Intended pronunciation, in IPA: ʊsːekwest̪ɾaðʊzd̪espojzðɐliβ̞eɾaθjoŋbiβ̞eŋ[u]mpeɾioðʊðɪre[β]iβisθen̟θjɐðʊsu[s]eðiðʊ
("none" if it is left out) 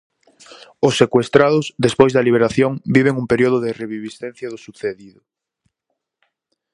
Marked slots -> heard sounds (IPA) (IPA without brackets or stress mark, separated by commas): u, β, θ